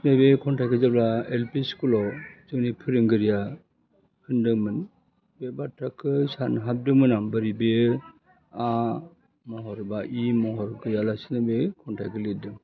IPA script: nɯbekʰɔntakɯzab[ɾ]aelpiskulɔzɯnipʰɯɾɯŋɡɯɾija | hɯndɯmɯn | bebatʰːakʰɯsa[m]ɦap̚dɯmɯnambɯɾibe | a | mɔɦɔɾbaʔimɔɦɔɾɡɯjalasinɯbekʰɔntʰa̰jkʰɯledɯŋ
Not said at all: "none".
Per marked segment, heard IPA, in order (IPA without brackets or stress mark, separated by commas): l, n